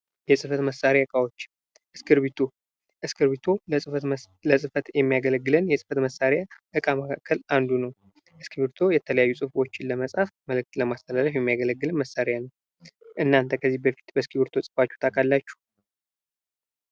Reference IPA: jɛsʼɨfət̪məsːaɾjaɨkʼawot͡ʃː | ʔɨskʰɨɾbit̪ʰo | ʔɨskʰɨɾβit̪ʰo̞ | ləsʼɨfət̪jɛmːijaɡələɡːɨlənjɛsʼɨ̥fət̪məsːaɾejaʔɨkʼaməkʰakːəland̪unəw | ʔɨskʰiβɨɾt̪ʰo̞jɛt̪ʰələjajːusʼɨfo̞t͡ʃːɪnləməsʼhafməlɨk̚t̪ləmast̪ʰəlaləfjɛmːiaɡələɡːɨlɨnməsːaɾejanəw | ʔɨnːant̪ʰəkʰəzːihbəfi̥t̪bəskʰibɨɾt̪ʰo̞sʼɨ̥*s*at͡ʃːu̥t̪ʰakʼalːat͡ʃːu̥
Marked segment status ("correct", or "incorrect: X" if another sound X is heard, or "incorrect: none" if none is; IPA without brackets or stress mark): incorrect: f